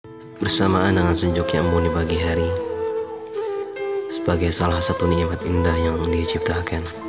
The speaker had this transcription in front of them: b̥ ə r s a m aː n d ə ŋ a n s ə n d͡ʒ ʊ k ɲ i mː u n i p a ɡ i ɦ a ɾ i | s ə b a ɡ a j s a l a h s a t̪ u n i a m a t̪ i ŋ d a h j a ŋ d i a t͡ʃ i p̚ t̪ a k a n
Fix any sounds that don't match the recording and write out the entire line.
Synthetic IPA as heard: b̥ ə r s a m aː n d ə ŋ a n s ə ɲ d͡ʒ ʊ k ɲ a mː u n i b a ɡ i ɦ a ɾ i | s ə b a ɡ a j s a l a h s a t̪ u n i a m a t̪ i n d a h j a ŋ d i a t͡ʃ i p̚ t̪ a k a n